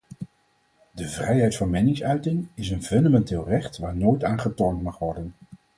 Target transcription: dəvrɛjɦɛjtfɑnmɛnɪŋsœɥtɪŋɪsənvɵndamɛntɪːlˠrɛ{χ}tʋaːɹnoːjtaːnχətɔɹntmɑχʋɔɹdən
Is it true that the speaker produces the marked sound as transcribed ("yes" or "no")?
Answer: yes